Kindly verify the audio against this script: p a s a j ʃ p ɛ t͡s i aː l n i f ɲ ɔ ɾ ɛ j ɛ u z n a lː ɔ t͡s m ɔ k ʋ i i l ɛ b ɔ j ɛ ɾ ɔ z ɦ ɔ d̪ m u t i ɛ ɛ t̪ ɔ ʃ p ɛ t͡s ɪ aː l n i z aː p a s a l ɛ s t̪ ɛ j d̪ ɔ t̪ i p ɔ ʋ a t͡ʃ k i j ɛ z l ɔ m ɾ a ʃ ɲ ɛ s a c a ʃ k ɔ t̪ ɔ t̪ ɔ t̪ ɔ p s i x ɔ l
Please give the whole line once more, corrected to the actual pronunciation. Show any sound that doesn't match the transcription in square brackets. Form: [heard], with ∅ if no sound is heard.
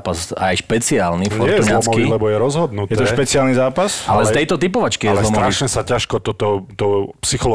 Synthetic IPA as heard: p a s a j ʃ p ɛ t͡s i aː l n i f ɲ ɔ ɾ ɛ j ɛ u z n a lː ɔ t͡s m ɔ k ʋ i i l ɛ b ɔ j ɛ ɾ ɔ z ɦ ɔ d̪ [n] u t [j] ɛ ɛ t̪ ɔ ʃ p ɛ t͡s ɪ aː l n i z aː p a s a l ɛ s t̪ ɛ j [t̪] ɔ t̪ i p ɔ ʋ a t͡ʃ k i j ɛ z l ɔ m ɾ a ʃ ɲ ɛ s a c a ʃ k ɔ t̪ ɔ t̪ ɔ t̪ ɔ p s i x ɔ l